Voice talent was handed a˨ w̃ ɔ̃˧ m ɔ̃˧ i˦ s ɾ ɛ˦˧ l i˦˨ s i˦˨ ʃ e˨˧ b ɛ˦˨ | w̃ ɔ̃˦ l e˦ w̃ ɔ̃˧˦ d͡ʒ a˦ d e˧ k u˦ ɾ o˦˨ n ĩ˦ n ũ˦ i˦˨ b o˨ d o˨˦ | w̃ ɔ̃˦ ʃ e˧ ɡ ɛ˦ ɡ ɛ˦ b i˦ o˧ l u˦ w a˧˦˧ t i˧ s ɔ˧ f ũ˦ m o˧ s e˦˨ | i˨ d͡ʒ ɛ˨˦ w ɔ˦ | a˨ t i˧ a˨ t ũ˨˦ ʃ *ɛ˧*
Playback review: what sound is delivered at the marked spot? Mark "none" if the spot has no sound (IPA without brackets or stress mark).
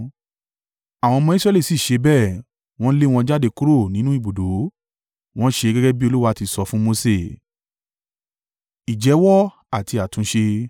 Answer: e˧